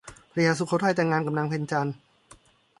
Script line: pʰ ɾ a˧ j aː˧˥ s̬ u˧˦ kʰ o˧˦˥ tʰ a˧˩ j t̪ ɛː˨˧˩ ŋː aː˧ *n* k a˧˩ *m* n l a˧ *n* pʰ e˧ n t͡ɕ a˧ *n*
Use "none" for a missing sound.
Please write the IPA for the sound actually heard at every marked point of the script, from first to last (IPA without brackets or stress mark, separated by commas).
n, m, ŋ, n